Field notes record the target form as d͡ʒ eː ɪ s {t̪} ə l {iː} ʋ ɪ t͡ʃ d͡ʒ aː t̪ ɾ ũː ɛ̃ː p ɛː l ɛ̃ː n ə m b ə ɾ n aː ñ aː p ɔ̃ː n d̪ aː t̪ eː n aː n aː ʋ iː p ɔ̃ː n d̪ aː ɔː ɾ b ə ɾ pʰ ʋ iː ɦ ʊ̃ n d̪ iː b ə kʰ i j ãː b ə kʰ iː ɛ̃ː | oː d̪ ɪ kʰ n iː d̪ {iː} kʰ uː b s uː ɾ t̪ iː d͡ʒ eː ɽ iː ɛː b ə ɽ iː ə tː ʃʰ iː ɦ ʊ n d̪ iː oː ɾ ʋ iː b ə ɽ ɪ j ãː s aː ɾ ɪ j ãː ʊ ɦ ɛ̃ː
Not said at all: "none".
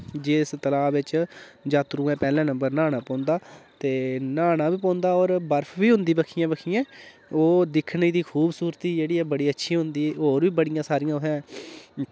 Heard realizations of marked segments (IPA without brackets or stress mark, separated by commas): t̪, aː, iː